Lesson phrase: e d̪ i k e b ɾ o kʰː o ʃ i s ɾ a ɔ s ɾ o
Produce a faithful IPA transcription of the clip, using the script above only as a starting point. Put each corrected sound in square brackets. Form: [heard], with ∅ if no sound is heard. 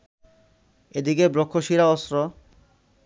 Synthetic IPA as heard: e d̪ i k e b ɾ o kʰː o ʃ i [∅] ɾ a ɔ s ɾ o